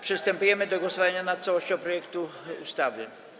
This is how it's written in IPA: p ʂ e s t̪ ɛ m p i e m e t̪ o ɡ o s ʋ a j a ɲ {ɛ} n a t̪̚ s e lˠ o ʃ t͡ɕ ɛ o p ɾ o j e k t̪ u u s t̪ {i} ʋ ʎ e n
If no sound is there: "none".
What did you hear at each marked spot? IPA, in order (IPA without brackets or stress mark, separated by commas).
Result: a, a